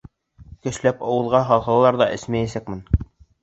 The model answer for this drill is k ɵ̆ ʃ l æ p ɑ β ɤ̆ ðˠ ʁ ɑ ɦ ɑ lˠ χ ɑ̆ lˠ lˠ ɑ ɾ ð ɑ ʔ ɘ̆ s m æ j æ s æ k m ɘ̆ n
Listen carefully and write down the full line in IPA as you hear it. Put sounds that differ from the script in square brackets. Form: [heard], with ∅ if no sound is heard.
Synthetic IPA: k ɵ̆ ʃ l æ p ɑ [w] ɤ̆ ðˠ ʁ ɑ ɦ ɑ lˠ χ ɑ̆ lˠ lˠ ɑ ɾ ð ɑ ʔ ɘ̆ s m æ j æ s æ k m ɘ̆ n